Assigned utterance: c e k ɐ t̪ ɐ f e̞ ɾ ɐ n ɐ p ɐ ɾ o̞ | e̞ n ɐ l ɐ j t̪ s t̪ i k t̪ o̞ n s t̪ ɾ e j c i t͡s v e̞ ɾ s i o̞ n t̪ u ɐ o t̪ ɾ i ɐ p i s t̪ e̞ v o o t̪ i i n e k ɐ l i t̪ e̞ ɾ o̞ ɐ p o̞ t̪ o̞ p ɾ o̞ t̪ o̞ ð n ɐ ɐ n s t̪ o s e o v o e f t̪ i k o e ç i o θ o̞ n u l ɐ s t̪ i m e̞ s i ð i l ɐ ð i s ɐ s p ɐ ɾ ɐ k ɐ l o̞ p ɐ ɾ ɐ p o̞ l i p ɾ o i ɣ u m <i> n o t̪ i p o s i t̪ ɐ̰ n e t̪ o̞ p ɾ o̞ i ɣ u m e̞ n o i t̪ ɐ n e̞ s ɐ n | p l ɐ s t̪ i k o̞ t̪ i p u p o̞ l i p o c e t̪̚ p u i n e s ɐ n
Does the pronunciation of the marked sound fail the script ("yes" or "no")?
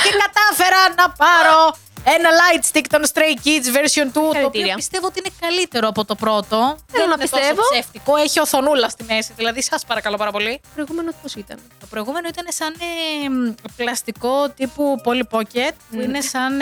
yes